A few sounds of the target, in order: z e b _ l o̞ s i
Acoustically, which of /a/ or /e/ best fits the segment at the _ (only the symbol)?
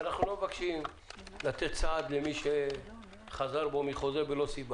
e